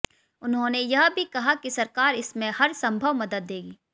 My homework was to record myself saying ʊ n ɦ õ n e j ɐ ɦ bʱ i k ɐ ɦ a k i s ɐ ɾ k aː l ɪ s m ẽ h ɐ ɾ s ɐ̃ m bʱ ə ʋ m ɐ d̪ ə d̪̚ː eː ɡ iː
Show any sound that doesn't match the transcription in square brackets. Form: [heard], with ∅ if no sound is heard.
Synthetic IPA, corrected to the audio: ʊ n ɦ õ n e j ɐ ɦ bʱ i k ɐ ɦ a k i s ɐ ɾ k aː [ɾ] ɪ s m ẽ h ɐ ɾ s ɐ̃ m bʱ ə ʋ m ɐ d̪ ə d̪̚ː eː ɡ iː